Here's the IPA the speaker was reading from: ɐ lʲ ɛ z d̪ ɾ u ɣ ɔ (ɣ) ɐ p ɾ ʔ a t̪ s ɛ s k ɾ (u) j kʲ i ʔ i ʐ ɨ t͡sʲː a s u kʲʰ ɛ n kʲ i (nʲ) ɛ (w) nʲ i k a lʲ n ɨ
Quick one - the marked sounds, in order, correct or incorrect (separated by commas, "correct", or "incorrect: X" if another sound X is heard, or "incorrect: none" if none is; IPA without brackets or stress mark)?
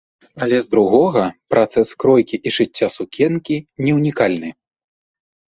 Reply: correct, incorrect: ɔ, correct, correct